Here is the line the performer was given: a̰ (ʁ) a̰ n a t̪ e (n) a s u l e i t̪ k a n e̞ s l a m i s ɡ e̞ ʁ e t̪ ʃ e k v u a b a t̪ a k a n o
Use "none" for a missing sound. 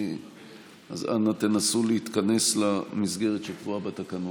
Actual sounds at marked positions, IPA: z, n

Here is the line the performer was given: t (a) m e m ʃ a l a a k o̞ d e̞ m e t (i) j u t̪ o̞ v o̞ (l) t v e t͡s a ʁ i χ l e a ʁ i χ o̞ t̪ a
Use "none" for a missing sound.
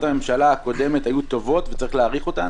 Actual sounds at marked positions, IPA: a, a, none

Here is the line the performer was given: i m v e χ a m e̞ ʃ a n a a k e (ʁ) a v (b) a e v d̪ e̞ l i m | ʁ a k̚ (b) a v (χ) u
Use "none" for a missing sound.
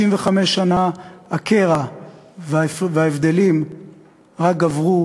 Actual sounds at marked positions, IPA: ʁ, v, ɡ, ʁ

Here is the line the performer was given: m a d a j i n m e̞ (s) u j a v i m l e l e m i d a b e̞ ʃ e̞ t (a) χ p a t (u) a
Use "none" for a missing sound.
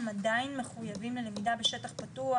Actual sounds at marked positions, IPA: χ, a, u

